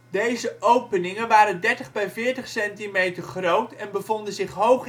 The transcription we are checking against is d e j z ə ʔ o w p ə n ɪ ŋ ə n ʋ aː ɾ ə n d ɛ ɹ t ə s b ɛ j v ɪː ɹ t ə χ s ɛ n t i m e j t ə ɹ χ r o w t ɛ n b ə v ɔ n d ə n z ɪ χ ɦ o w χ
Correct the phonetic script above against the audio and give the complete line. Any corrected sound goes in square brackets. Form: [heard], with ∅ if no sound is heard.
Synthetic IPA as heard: d e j z ə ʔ o w p ə n ɪ ŋ ə n ʋ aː ɾ ə n d ɛ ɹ t ə [χ] b ɛ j v ɪː ɹ t ə χ s ɛ n t i m e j t ə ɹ χ r o w t ɛ n b ə v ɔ n d ə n z ɪ χ ɦ o w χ